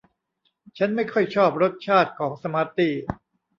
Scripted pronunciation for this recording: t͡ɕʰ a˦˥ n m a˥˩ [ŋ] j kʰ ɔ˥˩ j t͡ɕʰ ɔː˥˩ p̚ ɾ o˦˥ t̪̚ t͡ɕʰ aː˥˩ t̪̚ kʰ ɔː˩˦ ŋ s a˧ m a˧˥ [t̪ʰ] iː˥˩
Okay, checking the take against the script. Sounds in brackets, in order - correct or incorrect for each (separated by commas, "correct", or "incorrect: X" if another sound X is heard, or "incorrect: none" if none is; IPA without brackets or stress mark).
incorrect: none, incorrect: t̪